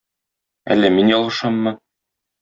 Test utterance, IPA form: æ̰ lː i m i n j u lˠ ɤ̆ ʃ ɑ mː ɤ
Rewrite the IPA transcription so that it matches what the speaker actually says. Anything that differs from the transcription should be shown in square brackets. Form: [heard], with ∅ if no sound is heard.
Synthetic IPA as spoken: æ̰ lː [æ] m i n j [ɒ] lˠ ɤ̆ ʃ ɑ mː ɤ